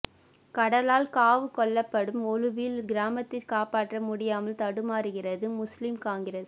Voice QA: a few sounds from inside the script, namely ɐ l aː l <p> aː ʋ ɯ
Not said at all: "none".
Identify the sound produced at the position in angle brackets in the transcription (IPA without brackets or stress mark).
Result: k